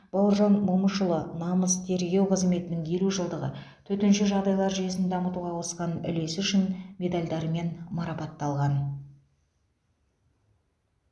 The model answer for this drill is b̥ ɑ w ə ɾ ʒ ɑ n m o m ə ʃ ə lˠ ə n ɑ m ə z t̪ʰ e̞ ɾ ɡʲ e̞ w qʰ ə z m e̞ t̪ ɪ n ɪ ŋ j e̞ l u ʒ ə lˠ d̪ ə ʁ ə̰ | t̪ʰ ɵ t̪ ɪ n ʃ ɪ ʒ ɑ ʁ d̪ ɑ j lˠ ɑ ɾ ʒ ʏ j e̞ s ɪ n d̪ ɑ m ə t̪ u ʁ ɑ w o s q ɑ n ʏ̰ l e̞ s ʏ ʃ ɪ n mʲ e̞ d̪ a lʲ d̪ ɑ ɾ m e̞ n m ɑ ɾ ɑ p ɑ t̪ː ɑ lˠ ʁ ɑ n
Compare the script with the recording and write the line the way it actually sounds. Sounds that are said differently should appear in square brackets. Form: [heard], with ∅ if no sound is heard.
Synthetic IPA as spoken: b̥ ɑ w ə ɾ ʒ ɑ n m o m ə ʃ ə lˠ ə n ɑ m ə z t̪ʰ e̞ ɾ ɡʲ e̞ w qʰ ə z m e̞ t̪ ɪ n ɪ ŋ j e̞ l u ʒ ə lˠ d̪ ə ʁ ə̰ | t̪ʰ ɵ t̪ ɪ n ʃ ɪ ʒ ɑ ʁ d̪ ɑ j lˠ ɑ ɾ ʒ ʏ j e̞ s ɪ n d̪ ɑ m ə t̪ u ʁ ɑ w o s q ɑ n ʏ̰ l e̞ s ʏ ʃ ɪ n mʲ e̞ d̪ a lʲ d̪ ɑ ɾ m e̞ n m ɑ ɾ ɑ p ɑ t̪ː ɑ lˠ ʁ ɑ n